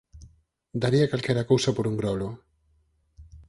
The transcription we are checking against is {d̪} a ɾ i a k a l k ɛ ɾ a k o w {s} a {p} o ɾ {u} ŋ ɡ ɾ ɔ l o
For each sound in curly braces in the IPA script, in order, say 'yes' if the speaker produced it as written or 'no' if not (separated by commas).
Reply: yes, yes, yes, yes